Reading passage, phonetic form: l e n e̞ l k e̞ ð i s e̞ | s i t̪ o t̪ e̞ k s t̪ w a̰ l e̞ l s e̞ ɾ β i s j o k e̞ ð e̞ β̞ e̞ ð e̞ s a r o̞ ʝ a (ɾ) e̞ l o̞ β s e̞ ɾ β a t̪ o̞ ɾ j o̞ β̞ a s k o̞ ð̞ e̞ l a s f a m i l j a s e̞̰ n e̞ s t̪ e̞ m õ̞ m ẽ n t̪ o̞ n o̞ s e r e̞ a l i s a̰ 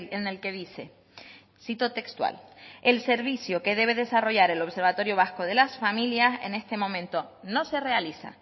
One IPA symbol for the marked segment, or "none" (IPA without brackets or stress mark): ɾ